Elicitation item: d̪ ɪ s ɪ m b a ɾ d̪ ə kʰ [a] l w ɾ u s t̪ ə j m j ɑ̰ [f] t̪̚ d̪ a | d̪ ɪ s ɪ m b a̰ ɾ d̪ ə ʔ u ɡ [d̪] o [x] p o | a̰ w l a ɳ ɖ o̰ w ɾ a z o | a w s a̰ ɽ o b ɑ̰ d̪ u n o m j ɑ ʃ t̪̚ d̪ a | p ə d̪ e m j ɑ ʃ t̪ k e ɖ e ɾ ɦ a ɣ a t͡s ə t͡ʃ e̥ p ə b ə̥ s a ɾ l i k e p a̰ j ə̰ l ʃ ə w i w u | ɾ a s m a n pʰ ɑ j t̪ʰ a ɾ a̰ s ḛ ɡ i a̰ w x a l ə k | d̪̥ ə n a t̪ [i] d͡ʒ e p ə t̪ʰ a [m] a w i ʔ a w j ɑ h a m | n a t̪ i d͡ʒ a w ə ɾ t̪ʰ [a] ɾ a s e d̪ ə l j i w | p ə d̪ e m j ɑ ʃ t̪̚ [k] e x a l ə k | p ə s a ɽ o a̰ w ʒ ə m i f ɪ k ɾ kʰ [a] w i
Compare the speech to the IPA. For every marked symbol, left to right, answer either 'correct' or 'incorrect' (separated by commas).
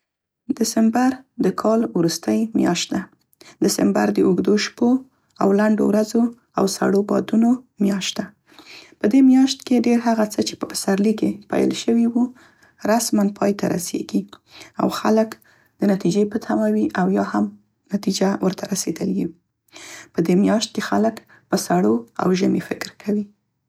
incorrect, incorrect, correct, incorrect, correct, correct, correct, correct, correct